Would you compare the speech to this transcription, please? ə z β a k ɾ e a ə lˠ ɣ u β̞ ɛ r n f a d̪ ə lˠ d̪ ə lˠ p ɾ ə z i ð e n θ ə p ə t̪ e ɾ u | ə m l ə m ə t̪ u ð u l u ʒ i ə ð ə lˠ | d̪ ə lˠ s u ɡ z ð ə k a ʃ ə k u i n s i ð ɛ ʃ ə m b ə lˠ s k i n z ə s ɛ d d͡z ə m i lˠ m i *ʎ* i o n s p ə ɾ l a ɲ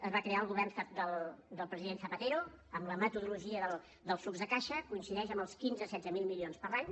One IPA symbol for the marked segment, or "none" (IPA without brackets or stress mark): l